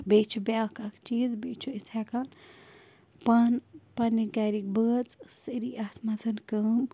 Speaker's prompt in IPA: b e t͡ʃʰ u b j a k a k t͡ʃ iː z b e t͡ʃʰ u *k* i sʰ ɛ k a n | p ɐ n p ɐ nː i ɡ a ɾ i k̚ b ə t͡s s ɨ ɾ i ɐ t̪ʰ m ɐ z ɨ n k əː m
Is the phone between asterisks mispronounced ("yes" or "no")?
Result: yes